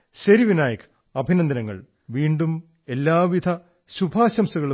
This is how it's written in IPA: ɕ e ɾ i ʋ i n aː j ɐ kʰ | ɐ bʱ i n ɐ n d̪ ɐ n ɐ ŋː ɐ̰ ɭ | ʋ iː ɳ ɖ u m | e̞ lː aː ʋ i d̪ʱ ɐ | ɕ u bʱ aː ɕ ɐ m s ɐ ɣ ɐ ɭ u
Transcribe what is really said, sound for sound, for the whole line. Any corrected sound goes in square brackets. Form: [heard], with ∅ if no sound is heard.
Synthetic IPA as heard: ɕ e ɾ i ʋ i n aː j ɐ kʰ | ɐ bʱ i n ɐ n d̪ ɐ n ɐ ŋː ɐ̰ ɭ | ʋ iː ɳ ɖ u m | e̞ lː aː ʋ i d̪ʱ ɐ | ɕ u bʱ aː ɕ ɐ m s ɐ ɣ ɐ ɭ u